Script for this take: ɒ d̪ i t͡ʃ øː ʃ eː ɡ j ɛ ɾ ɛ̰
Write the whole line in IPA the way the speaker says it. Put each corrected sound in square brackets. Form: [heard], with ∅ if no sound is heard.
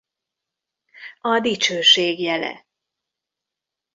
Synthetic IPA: ɒ d̪ i t͡ʃ øː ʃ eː ɡ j ɛ [l] ɛ̰